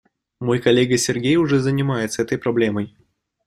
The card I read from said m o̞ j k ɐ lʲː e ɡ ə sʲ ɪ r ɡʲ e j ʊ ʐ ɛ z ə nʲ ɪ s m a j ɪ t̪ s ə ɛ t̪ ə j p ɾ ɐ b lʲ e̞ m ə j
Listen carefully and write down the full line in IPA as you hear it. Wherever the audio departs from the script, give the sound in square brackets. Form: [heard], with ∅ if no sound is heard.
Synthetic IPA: m o̞ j k ɐ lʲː e ɡ ə sʲ ɪ r ɡʲ e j ʊ ʐ ɛ z ə nʲ ɪ [∅] m a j ɪ t̪ s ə ɛ t̪ ə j p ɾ ɐ b lʲ e̞ m ə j